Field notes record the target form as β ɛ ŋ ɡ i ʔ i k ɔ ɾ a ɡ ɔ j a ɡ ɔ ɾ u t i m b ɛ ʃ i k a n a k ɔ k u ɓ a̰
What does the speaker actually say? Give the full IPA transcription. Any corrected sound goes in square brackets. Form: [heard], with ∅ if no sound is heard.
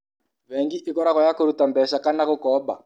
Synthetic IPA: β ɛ ŋ ɡ i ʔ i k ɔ ɾ a [k] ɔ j a [k] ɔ ɾ u t [a] m b ɛ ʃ [a] k a n a k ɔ k [ɔ] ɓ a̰